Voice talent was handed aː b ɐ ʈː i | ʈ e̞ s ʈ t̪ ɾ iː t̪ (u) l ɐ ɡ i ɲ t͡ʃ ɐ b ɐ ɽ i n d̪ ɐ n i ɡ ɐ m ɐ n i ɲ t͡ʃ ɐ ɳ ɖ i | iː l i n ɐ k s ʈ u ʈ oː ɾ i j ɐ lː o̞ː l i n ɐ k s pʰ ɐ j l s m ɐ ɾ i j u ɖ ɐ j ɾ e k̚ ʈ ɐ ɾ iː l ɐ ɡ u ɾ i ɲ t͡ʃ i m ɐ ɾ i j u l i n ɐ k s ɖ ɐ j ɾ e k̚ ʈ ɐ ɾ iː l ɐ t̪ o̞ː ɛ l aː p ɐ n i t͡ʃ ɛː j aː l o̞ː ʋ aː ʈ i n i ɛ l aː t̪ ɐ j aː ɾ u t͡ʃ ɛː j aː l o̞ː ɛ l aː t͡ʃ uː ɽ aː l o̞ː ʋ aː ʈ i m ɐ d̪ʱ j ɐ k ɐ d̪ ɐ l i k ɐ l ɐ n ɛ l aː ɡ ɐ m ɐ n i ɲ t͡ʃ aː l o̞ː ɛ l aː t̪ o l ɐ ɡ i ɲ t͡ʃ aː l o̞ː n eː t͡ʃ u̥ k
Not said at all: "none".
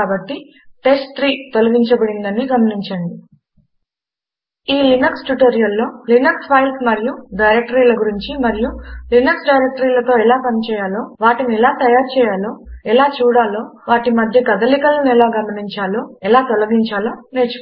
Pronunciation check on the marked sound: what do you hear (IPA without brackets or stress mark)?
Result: o